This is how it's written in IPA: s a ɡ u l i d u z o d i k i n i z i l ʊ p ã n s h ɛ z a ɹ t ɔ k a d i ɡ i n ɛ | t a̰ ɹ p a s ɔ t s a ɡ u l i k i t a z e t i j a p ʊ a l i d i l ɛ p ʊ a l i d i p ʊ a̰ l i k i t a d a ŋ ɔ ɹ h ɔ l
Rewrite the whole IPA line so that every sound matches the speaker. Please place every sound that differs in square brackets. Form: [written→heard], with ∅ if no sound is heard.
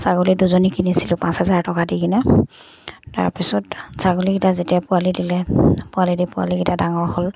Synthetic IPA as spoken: s a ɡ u l i d u z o [d→n] i k i n i [z→s] i l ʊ p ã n s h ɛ z a ɹ t ɔ k a d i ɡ i n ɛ | t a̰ ɹ p [a→i] s ɔ t s a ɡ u l i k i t a z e t i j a p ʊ a l i d i l ɛ p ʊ a l i d i p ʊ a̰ l i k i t a d a ŋ ɔ ɹ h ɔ l